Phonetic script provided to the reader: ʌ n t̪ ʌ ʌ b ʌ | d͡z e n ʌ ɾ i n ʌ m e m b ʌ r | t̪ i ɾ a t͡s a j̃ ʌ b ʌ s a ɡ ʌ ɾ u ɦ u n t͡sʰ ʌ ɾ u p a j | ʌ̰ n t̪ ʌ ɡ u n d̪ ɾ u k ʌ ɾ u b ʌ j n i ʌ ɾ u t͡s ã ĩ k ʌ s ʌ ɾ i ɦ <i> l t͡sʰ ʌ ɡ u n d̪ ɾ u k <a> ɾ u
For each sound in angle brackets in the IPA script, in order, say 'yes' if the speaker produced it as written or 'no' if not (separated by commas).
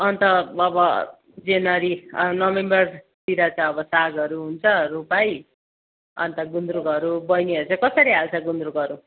no, no